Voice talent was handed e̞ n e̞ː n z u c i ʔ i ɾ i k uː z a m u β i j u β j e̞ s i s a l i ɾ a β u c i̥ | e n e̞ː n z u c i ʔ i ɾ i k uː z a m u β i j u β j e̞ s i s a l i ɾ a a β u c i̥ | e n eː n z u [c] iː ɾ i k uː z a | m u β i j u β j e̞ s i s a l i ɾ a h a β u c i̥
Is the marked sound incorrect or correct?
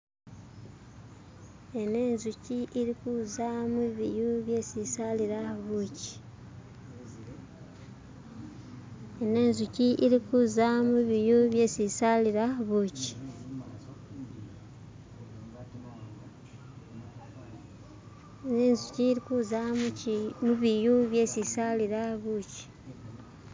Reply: correct